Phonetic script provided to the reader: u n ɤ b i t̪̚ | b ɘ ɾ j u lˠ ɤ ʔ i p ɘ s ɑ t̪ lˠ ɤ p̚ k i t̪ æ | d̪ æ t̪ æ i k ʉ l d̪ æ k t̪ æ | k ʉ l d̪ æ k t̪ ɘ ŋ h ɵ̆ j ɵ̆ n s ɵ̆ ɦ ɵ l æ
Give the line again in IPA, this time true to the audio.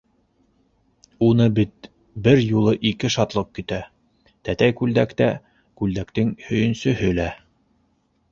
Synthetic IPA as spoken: u n ɤ b i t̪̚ | b ɘ ɾ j u lˠ ɤ ʔ i k ɘ ʃ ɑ t̪ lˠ ɤ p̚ k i t̪ æ | t̪ æ t̪ æ j k ʉ l d̪ æ k t̪ æ | k ʉ l d̪ æ k t̪ ɘ ŋ h ɵ̆ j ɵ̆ n s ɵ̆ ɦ ɵ l æ